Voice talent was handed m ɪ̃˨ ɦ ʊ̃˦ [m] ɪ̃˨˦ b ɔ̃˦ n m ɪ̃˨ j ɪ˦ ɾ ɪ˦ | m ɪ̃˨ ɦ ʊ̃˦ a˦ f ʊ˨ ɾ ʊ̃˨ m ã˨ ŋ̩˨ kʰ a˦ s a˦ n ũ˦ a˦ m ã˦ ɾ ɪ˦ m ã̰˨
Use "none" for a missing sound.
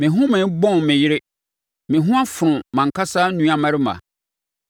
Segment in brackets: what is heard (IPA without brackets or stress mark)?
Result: m